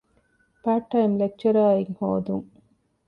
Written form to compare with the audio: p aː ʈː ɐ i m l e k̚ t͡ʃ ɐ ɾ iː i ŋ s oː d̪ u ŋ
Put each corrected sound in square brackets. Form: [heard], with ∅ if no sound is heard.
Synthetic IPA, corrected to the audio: p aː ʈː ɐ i m l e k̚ t͡ʃ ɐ ɾ [aː] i ŋ [h] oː d̪ u ŋ